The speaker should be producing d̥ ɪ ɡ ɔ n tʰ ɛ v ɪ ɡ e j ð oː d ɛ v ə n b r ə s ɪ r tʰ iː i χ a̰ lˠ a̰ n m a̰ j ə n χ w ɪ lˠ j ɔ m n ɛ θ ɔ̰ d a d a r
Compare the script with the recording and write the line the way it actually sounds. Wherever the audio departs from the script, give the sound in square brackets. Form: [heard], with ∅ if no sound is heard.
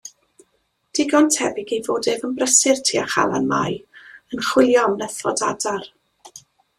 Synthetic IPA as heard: d̥ ɪ ɡ ɔ n tʰ ɛ [b] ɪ ɡ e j [v] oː d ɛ v ə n b r ə s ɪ r tʰ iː [a] χ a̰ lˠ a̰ n m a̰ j ə n χ w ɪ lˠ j ɔ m n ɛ θ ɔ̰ d a d a r